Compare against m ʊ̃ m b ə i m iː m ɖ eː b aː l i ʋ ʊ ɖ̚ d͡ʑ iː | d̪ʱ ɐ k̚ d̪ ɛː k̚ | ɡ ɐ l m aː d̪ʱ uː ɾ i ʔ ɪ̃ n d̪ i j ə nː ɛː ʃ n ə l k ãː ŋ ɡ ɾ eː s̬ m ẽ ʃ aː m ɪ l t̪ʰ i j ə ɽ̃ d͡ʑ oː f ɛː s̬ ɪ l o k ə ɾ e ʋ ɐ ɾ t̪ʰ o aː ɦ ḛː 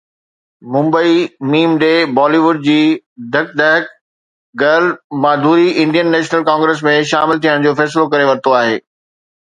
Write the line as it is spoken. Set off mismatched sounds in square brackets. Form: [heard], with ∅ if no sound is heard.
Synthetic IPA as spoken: m ʊ̃ m b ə i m iː m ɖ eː b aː l i ʋ ʊ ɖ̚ d͡ʑ iː | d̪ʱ ɐ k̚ d̪ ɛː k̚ | ɡ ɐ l m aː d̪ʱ uː ɾ i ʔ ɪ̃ n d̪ i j ə nː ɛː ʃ n ə l k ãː ŋ ɡ ɾ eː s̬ m ẽ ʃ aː m ɪ l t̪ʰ i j ə ɽ̃ d͡ʑ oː f ɛː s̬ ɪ l o k [ɐ] ɾ e ʋ ɐ ɾ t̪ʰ o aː ɦ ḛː